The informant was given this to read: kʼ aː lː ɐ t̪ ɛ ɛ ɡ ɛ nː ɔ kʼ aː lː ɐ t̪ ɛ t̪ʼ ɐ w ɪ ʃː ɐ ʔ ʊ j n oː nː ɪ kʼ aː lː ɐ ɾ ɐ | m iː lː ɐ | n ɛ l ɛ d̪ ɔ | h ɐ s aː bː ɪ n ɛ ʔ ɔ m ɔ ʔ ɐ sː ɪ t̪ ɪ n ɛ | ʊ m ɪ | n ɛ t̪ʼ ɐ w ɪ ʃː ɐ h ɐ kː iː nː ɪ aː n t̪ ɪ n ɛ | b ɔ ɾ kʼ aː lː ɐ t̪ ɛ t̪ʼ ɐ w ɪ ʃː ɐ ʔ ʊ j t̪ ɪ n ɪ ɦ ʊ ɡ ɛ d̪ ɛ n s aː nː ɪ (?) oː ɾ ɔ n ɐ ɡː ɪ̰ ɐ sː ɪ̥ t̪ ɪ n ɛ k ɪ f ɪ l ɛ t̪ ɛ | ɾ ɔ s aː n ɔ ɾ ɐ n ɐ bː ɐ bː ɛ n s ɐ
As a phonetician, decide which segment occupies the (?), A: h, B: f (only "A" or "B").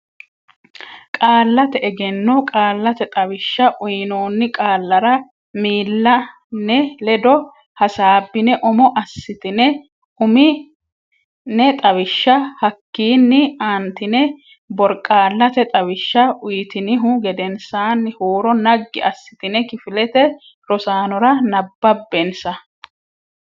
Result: A